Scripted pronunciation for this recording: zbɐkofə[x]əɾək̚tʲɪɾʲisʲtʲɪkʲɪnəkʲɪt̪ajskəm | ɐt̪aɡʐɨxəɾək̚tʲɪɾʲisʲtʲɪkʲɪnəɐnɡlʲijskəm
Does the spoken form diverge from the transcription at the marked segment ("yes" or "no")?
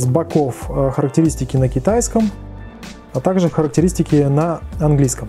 no